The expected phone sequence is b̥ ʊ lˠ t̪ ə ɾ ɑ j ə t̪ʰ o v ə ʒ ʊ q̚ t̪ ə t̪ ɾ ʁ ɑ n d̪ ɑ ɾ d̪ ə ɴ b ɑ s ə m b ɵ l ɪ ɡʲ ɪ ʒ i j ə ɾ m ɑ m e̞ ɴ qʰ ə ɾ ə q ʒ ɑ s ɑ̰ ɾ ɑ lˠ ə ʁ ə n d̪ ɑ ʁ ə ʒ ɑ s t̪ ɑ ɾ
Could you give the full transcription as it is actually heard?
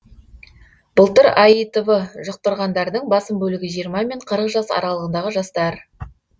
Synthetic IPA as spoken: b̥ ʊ lˠ t̪ ə ɾ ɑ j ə t̪ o v ə ʒ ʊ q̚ t̪ ə ɾ ʁ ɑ n d̪ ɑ ɾ d̪ ə ɴ b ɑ s ə m b ɵ l ɪ ɡʲ ɪ ʒ i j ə ɾ m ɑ m e̞ ɴ qʰ ə ɾ ə q ʒ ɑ s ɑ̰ ɾ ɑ lˠ ə ʁ ə n d̪ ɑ ʁ ə ʒ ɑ s t̪ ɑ ɾ